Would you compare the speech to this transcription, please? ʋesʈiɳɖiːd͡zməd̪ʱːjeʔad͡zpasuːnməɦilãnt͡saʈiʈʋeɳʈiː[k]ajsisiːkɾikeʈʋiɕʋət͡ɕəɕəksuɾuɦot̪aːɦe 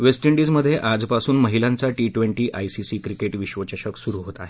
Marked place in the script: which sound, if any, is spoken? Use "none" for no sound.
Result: ʔ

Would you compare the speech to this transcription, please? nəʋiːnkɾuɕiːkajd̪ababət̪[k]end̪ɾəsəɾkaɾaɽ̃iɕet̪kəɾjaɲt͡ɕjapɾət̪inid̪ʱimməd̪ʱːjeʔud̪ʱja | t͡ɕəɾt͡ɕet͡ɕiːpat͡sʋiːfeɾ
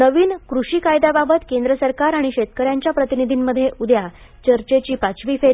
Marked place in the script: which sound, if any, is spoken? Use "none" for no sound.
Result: k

